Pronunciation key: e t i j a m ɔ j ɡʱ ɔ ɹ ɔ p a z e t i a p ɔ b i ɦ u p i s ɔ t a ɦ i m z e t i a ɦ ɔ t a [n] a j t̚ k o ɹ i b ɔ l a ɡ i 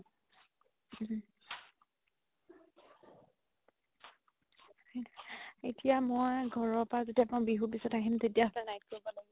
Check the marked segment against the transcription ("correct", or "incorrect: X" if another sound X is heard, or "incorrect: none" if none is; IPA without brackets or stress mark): correct